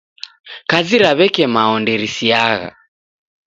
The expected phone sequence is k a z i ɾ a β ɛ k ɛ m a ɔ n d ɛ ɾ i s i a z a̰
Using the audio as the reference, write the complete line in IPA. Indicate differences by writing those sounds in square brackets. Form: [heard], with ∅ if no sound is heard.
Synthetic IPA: k a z i ɾ a β ɛ k ɛ m a ɔ n d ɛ ɾ i s i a [ɣ] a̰